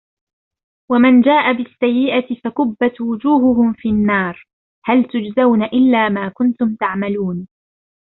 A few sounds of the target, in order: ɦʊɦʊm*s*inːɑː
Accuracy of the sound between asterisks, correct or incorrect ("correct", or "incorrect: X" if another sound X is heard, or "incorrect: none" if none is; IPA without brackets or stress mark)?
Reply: incorrect: f